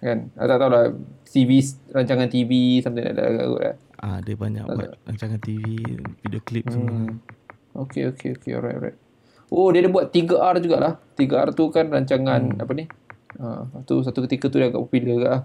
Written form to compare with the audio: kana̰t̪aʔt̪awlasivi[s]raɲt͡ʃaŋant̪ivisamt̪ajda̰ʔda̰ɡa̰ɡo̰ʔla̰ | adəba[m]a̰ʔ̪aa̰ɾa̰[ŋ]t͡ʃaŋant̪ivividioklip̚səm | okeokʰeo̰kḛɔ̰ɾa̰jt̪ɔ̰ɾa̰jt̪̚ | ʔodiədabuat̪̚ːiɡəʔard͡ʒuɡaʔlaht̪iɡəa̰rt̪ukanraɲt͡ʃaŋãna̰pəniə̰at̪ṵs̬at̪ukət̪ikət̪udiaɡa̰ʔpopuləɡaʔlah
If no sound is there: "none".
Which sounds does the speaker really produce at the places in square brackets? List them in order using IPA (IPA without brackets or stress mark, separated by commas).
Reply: s, ɲ, ɲ